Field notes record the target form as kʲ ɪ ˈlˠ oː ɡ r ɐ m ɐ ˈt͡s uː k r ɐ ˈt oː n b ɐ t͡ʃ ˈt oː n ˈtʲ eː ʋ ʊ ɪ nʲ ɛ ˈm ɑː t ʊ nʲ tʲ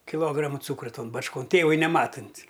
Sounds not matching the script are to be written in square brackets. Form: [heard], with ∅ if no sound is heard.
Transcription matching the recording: kʲ ɪ ˈlˠ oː ɡ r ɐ m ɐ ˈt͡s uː k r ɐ ˈt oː n b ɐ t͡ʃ [ˈk] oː n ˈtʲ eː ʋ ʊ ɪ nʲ ɛ ˈm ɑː t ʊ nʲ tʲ